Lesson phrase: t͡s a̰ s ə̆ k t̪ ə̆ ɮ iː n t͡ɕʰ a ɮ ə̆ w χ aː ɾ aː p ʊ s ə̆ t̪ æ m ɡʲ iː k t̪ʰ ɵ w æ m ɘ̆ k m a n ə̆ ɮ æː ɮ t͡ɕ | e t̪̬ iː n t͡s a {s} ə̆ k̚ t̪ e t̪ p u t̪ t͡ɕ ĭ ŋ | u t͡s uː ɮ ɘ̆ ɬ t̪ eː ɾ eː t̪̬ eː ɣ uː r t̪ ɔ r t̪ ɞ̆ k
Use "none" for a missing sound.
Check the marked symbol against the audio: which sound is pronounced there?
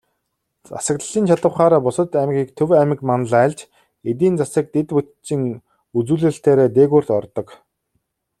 s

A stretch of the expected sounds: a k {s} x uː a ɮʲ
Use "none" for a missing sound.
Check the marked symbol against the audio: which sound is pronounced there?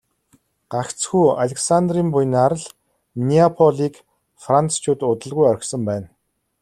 t͡s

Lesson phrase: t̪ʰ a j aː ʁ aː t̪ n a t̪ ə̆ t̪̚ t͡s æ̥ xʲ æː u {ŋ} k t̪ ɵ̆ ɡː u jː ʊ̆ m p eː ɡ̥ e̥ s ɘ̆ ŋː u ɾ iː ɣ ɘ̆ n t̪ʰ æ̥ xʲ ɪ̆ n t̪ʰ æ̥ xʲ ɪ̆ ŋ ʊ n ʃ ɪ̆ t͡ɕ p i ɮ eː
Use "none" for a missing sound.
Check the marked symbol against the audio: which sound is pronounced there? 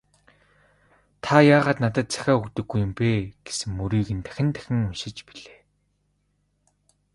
none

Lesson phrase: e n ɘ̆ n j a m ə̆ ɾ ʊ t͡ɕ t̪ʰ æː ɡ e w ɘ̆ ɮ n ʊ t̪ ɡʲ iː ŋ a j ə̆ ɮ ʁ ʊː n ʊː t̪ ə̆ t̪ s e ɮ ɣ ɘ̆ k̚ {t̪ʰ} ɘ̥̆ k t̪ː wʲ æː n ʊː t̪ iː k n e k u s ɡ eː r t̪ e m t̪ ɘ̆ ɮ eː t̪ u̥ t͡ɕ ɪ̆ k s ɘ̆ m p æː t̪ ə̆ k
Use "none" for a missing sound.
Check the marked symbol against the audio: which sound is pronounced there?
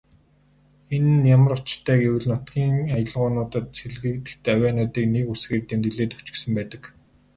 t̪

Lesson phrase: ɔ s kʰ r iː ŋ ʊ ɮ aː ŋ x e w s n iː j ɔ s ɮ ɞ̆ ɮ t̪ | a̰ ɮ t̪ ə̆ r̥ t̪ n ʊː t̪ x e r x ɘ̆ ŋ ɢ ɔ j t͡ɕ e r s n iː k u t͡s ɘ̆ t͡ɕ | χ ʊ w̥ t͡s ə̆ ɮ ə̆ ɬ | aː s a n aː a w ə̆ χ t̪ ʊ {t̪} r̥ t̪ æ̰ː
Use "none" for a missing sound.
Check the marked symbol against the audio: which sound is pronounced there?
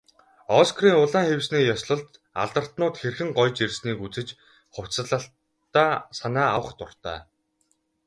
none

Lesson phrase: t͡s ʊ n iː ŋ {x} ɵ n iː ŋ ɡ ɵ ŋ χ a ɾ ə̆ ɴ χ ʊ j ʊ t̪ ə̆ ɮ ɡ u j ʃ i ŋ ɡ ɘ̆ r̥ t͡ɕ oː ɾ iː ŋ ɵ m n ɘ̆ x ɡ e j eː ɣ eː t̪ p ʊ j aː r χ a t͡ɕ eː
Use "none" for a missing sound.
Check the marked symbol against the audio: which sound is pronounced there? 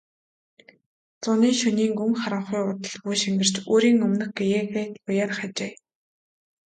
ʃ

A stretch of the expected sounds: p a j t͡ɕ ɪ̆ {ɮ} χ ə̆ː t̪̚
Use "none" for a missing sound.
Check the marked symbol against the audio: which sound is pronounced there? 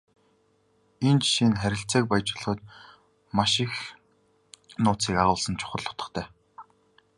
ɮ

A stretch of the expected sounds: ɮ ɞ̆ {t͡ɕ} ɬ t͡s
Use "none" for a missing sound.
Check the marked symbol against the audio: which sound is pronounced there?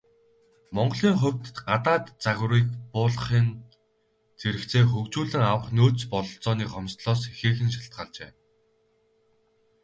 none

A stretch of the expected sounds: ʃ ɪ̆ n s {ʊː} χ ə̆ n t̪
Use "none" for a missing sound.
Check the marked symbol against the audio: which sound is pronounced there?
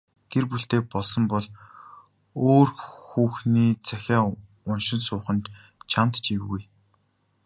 ʊː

